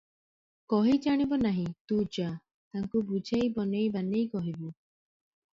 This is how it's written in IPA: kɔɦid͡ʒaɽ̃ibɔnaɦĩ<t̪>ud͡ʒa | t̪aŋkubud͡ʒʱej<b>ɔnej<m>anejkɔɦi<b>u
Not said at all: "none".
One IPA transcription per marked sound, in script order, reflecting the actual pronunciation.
t̪, b, b, b

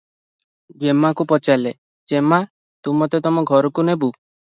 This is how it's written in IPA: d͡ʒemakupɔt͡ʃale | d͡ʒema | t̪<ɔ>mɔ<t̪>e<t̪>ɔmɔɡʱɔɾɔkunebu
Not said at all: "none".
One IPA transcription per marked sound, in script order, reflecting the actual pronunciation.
u, t̪, t̪

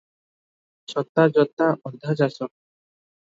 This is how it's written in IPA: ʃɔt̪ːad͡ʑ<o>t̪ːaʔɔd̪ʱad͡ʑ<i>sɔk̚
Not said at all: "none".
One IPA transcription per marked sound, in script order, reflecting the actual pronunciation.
ɔ, a

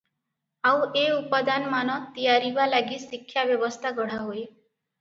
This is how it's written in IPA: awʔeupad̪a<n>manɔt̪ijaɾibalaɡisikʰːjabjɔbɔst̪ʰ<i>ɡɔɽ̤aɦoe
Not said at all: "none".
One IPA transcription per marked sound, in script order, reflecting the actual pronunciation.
n, a

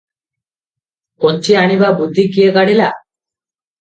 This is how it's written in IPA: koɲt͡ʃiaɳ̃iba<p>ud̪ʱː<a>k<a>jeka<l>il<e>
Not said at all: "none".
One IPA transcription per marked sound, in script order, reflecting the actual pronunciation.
b, i, i, ɽ, a

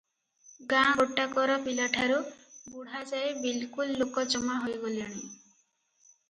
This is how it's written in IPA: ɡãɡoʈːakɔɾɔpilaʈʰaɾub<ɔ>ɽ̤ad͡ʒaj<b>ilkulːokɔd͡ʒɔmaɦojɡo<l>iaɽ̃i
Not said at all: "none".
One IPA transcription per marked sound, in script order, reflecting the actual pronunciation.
u, b, l

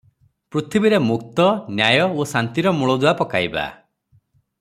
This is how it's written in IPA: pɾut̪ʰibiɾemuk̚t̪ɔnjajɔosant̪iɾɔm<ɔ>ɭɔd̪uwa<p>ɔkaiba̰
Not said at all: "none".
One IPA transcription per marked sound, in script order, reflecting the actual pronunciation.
u, p

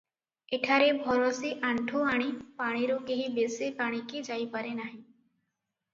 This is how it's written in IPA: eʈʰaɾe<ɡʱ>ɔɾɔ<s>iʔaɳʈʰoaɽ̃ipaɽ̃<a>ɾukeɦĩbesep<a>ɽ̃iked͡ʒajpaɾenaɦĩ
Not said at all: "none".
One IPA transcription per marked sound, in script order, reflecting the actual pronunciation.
bʱ, s, i, a

